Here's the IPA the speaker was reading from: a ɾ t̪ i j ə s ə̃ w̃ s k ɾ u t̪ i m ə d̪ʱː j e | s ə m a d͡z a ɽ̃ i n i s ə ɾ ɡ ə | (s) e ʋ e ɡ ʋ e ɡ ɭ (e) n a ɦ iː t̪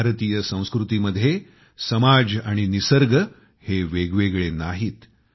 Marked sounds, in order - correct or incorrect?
incorrect: h, correct

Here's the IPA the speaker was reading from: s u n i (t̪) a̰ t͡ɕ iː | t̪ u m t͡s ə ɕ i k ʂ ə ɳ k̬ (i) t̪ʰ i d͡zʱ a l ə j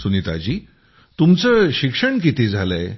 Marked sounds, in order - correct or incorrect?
correct, correct

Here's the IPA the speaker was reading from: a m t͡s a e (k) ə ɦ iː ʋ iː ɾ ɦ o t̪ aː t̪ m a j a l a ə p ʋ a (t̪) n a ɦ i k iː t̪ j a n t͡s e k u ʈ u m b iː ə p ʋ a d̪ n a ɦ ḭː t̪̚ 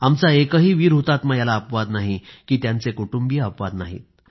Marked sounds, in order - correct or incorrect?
correct, incorrect: d̪

